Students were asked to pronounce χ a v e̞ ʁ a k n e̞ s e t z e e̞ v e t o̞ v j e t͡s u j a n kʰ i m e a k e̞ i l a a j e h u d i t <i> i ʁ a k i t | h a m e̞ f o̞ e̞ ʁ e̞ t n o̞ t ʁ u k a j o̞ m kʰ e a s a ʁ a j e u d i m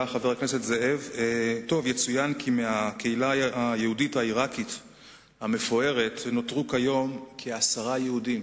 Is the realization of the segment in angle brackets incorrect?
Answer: yes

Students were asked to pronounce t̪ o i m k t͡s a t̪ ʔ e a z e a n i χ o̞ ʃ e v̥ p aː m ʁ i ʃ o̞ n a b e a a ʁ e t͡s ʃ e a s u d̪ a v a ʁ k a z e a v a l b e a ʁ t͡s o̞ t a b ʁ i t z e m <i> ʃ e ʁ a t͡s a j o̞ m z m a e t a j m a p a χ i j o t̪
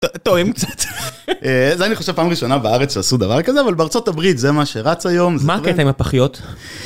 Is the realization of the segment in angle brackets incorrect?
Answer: yes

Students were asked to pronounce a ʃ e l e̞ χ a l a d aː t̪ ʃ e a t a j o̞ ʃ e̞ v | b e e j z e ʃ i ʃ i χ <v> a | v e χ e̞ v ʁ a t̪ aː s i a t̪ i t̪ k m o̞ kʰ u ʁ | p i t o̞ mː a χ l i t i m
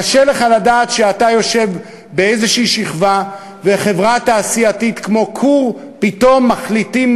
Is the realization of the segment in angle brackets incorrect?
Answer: no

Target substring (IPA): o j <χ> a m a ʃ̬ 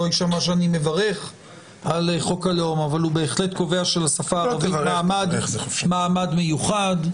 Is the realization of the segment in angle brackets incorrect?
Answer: yes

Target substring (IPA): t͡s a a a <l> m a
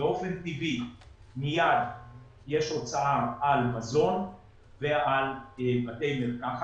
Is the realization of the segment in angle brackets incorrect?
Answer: no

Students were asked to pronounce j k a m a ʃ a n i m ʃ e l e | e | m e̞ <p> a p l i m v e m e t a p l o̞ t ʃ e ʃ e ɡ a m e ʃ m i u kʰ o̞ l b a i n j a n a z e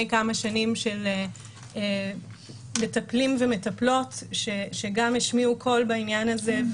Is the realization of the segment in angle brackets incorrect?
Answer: yes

